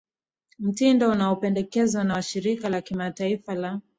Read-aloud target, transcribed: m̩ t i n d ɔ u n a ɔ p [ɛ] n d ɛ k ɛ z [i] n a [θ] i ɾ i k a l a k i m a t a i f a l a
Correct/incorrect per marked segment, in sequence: correct, incorrect: a, incorrect: ʃ

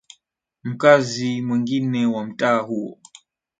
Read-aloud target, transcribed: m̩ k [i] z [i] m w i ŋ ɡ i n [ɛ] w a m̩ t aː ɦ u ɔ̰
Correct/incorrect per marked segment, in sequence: incorrect: a, correct, correct

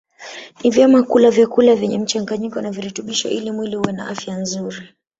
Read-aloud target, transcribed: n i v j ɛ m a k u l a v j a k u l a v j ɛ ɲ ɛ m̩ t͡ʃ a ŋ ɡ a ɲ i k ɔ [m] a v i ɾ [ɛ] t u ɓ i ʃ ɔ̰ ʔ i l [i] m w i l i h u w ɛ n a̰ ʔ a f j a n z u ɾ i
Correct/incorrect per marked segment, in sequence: incorrect: n, correct, correct

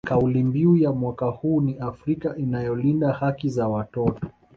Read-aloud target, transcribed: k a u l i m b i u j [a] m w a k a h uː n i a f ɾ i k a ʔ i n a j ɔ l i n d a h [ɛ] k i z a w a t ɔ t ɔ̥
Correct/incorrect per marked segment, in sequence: correct, incorrect: a

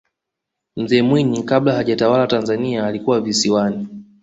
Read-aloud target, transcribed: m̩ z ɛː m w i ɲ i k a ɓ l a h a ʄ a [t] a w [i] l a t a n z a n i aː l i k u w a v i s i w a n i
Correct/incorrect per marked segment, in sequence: correct, incorrect: a

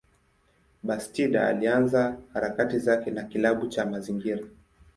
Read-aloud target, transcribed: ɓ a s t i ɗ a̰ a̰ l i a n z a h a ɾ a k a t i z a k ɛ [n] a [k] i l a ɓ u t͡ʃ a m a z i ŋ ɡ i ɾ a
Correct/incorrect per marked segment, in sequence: correct, correct

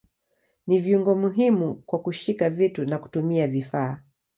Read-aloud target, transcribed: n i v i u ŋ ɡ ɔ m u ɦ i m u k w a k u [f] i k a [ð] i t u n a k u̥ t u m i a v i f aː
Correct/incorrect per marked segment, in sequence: incorrect: ʃ, incorrect: v

